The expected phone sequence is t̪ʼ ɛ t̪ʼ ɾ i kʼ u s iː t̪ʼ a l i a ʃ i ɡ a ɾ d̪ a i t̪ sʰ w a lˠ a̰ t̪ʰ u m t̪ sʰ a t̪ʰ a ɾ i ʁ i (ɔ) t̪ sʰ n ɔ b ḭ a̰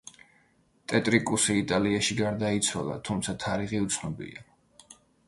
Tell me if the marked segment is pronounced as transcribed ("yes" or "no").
no